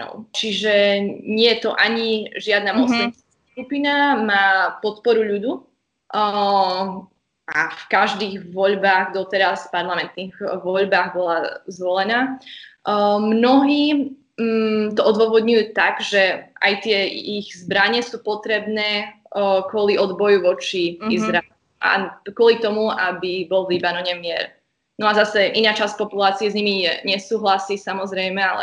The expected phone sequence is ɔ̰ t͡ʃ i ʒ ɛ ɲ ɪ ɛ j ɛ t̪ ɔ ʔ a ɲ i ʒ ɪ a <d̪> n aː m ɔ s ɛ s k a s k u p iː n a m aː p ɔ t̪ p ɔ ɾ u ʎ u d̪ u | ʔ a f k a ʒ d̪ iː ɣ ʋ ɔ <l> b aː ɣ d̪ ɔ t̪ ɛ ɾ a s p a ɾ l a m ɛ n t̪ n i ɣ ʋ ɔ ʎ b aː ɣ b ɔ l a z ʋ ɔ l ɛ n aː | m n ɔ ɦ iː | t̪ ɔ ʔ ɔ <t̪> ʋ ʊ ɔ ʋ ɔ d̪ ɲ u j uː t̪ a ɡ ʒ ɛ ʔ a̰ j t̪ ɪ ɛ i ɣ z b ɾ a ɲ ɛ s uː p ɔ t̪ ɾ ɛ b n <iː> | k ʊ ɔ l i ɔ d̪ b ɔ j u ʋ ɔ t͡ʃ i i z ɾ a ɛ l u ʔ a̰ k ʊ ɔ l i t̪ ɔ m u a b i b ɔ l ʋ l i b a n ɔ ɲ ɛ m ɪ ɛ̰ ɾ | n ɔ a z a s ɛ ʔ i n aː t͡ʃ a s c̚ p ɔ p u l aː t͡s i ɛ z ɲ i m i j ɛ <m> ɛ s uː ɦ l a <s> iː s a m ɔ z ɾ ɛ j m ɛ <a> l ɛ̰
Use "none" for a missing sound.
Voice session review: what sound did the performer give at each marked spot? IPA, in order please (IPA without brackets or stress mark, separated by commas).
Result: d̪, ʎ, d̪, ɛː, ɲ, s, a